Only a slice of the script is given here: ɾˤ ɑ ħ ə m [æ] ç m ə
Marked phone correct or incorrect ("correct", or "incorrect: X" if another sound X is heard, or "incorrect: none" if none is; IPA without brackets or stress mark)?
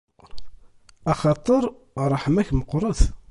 correct